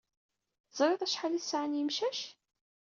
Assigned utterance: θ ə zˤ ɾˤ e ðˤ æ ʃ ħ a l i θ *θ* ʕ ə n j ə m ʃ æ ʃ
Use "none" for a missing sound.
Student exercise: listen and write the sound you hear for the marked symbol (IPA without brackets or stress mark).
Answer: s